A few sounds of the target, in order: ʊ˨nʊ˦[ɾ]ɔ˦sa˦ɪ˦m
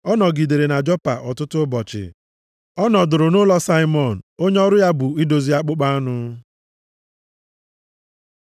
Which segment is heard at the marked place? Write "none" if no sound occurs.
l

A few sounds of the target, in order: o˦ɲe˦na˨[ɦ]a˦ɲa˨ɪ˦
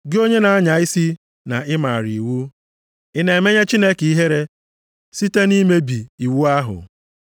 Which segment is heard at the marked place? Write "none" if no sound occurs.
none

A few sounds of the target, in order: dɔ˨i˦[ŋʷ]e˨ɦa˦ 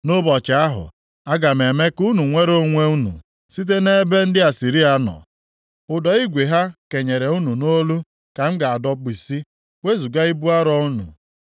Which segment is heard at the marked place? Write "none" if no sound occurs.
ɡʷ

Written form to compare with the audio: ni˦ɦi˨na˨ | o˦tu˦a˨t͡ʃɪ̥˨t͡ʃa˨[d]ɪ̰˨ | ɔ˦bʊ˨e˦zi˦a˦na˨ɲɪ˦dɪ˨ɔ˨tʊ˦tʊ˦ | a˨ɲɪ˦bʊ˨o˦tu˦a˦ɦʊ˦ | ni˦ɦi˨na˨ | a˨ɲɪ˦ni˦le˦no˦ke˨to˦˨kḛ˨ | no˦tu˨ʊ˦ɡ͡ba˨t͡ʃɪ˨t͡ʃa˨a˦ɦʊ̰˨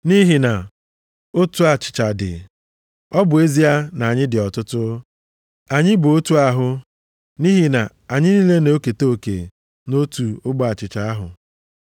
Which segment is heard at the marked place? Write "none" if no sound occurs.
d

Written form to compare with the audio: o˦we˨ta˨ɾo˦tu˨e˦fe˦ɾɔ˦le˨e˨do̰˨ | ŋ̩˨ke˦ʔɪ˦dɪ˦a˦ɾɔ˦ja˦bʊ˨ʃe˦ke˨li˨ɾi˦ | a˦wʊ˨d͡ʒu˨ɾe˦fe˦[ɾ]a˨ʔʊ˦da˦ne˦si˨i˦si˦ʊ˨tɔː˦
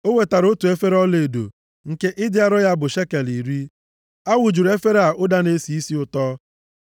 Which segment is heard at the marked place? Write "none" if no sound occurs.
ɾ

